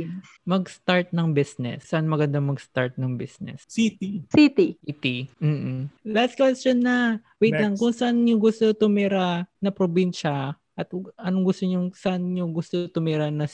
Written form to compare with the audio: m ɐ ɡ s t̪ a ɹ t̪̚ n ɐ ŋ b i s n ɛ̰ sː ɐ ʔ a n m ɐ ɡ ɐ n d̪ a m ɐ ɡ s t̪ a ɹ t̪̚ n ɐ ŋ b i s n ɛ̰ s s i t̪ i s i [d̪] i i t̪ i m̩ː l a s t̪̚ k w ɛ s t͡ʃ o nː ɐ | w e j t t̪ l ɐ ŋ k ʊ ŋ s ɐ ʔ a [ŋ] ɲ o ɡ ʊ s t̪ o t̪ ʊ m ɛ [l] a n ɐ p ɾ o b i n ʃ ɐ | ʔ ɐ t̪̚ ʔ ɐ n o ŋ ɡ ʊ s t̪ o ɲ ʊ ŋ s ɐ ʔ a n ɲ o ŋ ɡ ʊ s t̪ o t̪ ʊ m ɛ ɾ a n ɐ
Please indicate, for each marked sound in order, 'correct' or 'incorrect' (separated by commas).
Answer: incorrect, incorrect, incorrect